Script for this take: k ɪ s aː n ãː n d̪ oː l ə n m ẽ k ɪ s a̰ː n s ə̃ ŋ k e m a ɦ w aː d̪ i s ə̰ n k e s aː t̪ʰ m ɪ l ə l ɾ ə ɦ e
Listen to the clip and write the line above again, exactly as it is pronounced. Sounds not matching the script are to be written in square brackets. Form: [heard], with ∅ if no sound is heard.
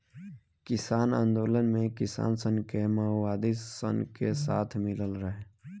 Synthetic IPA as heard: k ɪ s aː n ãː n d̪ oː l ə n m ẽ k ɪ s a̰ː n s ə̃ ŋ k e m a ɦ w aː d̪ i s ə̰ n k e s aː t̪ʰ m ɪ l ə l ɾ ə ɦ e